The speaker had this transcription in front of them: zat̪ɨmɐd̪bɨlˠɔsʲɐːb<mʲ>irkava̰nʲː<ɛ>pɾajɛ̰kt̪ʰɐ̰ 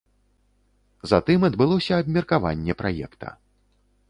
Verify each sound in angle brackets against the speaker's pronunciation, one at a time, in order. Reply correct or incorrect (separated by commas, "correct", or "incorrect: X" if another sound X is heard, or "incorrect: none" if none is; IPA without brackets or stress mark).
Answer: correct, correct